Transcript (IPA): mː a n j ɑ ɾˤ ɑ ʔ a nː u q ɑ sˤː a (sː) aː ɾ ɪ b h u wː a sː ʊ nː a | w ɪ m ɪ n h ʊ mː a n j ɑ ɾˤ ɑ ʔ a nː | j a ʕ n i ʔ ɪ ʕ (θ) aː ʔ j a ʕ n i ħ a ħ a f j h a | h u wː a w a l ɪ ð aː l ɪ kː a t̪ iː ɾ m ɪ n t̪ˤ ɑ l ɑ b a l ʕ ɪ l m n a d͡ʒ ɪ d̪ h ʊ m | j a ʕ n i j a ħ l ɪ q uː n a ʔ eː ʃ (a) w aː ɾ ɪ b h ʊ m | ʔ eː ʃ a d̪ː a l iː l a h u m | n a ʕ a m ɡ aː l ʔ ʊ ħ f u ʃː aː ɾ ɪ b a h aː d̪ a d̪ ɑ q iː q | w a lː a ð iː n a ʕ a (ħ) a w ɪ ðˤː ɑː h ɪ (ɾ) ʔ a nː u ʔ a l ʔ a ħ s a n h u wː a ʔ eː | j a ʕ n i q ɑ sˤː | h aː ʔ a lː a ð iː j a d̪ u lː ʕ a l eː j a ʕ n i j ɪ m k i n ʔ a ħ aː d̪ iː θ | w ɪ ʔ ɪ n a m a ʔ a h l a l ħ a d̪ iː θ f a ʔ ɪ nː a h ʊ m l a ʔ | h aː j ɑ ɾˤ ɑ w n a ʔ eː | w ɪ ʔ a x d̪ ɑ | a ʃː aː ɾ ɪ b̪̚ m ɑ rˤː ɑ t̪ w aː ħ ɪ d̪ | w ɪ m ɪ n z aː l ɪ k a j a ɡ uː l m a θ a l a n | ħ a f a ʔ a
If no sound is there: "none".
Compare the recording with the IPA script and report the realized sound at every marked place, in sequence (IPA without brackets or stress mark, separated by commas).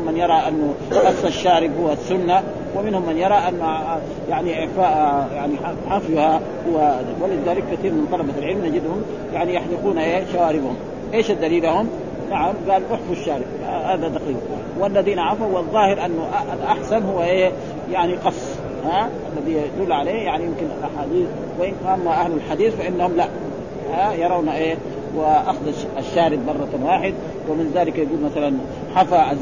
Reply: ʃː, f, a, f, ɾ